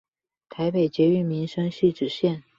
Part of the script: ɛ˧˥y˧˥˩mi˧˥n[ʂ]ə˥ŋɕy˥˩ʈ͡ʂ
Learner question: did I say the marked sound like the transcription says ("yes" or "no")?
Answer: yes